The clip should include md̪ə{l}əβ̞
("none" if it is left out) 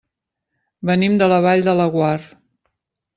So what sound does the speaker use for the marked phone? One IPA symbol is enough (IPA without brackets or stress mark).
l